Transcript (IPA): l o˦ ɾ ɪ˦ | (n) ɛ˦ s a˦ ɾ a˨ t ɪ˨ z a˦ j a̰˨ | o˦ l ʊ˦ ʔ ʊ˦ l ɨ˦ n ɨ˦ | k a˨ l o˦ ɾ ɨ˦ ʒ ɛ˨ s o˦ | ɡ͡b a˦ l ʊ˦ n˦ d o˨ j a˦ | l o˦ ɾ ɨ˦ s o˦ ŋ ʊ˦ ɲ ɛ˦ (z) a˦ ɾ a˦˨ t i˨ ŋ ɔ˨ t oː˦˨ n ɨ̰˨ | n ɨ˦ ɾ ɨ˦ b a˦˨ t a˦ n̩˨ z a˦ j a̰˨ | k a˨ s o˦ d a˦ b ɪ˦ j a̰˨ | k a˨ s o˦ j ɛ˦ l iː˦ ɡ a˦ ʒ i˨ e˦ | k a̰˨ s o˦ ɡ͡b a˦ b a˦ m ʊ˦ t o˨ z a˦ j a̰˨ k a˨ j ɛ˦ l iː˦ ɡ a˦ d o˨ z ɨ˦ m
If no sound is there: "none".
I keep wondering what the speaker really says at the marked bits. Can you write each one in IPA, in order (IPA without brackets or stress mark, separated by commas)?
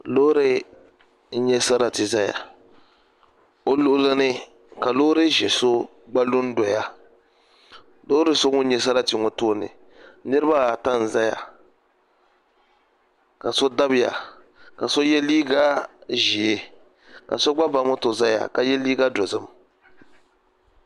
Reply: ɲ, s